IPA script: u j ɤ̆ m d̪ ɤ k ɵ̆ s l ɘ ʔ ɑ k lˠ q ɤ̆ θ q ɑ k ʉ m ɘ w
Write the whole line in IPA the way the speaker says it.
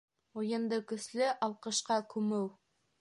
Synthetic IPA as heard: u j ɤ̆ n d̪ ɤ k ɵ̆ s l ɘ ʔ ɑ lˠ q ɤ̆ ʃ q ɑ k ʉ m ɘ w

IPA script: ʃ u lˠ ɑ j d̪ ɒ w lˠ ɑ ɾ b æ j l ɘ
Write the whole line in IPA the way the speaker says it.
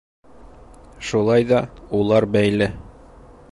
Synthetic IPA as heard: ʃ u lˠ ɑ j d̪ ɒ u lˠ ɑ ɾ b æ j l ɘ

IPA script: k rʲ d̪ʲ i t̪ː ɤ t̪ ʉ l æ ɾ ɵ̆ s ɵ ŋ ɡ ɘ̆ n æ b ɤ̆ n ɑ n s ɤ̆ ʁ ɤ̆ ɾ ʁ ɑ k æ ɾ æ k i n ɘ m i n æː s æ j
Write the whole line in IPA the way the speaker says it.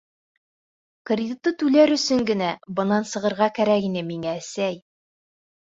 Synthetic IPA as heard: k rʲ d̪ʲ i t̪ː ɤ t̪ ʉ l æ ɾ ɵ̆ s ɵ ŋ ɡ ɘ̆ n æ b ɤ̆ n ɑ n s ɤ̆ ʁ ɤ̆ ɾ ʁ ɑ k æ ɾ æ k i n ɘ m i ŋ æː s æ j

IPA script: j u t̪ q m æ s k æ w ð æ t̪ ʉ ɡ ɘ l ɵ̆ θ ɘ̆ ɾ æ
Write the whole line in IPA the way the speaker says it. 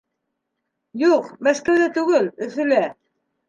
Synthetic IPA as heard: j u q m æ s k æ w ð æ t̪ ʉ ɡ ɘ l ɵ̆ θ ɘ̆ l æ

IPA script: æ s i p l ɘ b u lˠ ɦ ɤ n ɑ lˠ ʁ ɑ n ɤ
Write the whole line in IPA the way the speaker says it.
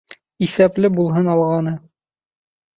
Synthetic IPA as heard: i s æ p l ɘ b u lˠ ɦ ɤ n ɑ lˠ ʁ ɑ n ɤ

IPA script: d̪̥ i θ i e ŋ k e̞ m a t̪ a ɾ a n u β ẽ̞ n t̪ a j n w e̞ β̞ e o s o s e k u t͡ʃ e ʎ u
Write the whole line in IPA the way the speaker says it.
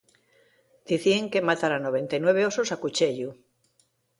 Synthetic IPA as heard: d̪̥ i θ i e ŋ k e̞ m a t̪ a ɾ a n o β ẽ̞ n t̪ a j n w e̞ β̞ e o s o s a k u t͡ʃ e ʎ u

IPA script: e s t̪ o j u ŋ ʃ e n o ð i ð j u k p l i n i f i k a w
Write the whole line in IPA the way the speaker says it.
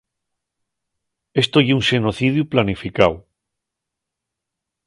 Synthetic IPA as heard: e s t̪ o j u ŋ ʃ e n o θ i ð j u p l a n i f i k a w

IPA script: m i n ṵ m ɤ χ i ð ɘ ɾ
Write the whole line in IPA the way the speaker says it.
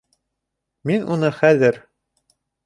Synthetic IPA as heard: m i n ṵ n ɤ χ æ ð ɘ ɾ

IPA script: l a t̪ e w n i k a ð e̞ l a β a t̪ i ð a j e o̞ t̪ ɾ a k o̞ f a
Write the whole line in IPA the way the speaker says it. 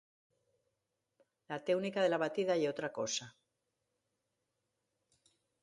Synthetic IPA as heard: l a t̪ e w n i k a ð e̞ l a β a t̪ i ð a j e o̞ t̪ ɾ a k o̞ s a

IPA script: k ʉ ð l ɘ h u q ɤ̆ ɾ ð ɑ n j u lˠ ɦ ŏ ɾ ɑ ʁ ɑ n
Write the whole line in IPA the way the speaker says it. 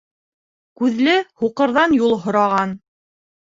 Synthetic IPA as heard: k ʉ ð l ɘ h u q ɤ̆ ɾ ð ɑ n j u lˠ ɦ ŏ ɾ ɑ ʁ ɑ n

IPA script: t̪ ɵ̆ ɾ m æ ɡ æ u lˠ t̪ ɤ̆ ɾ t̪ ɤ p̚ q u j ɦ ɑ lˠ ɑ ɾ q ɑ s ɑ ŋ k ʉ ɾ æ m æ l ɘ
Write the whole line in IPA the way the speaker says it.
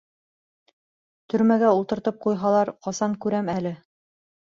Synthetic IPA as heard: t̪ ɵ̆ ɾ m æ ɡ æ u lˠ t̪ ɤ̆ ɾ t̪ ɤ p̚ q u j ɦ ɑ lˠ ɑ ɾ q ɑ s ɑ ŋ k ʉ ɾ æ m æ l ɘ

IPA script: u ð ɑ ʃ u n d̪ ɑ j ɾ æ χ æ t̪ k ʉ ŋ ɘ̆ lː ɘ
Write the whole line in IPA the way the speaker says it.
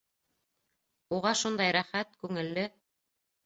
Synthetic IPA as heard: u ʁ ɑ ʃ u n d̪ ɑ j ɾ æ χ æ t̪ k ʉ ŋ ɘ̆ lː ɘ

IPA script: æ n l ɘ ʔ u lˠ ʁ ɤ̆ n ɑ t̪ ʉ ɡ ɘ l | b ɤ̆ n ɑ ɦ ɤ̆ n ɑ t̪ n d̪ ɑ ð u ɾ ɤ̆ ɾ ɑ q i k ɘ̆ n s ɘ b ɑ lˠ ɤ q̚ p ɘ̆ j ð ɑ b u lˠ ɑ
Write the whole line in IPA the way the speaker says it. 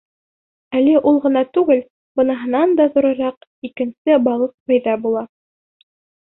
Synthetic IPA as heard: æ l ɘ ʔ u lˠ ʁ ɤ̆ n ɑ t̪ ʉ ɡ ɘ l | b ɤ̆ n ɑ ɦ ɤ̆ n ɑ n d̪ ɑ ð u ɾ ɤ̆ ɾ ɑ q i k ɘ̆ n s ɘ b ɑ lˠ ɤ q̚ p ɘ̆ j ð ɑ b u lˠ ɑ

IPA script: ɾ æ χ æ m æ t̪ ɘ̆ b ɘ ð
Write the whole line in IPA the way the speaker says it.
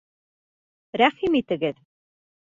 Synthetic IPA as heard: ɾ æ χ i m i t̪ ɘ̆ ɡ ɘ ð

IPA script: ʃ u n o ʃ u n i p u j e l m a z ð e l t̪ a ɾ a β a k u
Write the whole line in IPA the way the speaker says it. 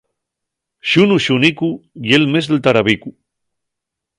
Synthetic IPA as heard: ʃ u n u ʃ u n i k u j e l m e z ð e l t̪ a ɾ a β i k u

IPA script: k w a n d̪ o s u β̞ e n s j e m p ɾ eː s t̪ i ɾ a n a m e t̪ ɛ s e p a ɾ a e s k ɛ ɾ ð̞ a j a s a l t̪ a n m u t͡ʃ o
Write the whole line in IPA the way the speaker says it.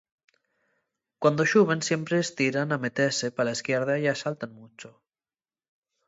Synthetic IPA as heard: k w a n d̪ o ʃ u β̞ e n s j e m p ɾ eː s t̪ i ɾ a n a m e t̪ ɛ s e p a l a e s k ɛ ɾ ð̞ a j a s a l t̪ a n m u t͡ʃ o

